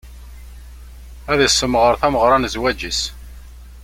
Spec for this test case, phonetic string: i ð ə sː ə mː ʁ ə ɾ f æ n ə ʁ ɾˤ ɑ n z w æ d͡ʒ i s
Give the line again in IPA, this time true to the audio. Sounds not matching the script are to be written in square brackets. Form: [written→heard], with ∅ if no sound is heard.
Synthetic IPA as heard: [i→æ] ð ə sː ə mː ʁ ə ɾ [f→θ] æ [n→m] ə ʁ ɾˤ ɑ n z w æ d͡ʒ i s

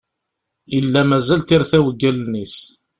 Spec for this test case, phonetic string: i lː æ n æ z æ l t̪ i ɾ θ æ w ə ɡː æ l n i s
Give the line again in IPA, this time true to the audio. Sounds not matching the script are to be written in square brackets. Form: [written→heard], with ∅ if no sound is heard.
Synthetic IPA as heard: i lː æ [n→m] æ z æ l t̪ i ɾ θ æ w ə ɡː æ l n i s

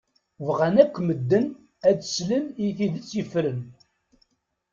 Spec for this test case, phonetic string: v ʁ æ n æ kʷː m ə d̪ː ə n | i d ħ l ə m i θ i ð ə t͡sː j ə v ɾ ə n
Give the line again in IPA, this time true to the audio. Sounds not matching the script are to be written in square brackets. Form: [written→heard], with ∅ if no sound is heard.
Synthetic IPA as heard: v ʁ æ n æ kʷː m ə d̪ː ə n | [i→æ] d [ħ→s] l ə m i θ i ð ə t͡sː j ə [v→f] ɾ ə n

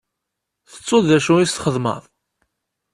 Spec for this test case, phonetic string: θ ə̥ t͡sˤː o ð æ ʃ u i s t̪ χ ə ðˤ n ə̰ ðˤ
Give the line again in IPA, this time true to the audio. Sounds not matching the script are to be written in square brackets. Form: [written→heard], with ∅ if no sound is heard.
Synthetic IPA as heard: θ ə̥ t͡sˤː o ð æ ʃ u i s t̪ χ ə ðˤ [n→m] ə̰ ðˤ

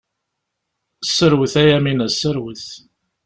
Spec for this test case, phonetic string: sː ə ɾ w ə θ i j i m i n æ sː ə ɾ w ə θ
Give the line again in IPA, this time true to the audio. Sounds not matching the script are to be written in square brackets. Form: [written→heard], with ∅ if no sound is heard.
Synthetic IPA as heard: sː ə ɾ w ə θ [i→æ] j [i→æ] m i n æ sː ə ɾ w ə θ

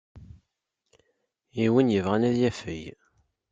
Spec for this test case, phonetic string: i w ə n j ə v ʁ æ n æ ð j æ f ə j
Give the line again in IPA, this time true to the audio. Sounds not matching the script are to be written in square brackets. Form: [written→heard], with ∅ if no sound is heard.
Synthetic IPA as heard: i w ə n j ə v ʁ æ n æ ð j æ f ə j

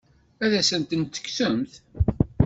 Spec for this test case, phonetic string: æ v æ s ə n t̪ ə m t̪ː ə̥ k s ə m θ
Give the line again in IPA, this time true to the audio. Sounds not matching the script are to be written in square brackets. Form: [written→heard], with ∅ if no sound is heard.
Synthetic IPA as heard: æ [v→ð] æ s ə n t̪ ə [m→n] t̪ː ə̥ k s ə m θ

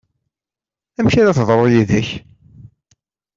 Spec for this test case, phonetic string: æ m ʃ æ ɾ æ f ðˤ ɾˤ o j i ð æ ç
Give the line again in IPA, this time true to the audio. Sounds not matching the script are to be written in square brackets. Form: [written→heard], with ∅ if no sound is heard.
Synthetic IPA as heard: æ m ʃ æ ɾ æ [f→θ] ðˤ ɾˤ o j i ð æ ç

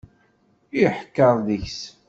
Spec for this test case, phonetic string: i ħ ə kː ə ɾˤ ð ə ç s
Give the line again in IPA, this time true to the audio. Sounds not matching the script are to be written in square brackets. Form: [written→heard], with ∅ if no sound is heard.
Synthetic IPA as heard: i ħ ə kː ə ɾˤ ð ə ç s

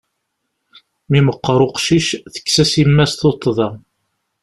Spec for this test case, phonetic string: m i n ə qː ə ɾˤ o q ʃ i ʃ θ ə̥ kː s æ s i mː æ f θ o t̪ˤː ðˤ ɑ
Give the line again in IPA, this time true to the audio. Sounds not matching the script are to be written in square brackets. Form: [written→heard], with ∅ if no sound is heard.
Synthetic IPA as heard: m i [n→m] ə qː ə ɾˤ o q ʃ i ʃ θ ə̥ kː s æ s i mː æ [f→s] θ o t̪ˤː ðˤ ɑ

